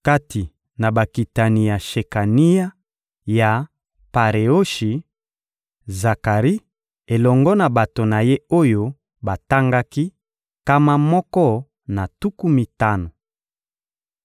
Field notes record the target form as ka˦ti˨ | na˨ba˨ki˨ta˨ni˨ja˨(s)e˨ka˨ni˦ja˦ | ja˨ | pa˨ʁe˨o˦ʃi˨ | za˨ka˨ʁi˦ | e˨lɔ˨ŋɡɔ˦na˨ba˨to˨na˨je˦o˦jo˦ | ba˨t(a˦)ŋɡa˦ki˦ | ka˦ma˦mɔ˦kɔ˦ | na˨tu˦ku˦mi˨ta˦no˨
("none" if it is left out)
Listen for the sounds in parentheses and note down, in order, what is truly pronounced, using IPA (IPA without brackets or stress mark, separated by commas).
ʃ, a˦